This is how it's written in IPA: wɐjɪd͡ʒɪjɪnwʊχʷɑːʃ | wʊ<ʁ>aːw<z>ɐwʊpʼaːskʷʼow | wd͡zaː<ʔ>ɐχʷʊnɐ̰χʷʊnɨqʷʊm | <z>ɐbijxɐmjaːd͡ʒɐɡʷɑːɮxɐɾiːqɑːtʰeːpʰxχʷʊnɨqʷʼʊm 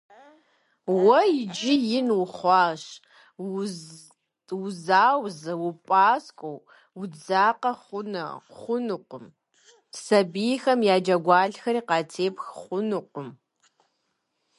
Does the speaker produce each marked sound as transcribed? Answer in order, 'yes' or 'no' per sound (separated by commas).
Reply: no, yes, no, no